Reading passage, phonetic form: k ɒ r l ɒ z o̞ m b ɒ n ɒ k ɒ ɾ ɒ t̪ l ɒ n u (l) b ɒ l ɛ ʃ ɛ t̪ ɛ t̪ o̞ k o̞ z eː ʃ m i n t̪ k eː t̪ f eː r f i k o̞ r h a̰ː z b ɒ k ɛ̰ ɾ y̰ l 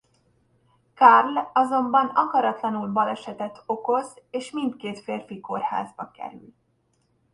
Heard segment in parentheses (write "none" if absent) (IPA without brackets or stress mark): l